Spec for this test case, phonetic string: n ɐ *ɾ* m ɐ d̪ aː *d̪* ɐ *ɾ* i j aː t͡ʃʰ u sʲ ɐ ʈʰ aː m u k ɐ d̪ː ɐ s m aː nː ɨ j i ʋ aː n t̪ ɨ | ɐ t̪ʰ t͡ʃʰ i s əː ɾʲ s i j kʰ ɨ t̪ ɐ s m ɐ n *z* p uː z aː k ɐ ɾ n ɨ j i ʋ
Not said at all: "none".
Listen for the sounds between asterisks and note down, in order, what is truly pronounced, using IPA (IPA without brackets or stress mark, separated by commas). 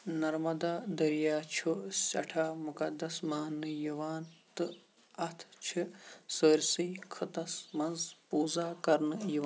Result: ɾ, d̪, ɾ, z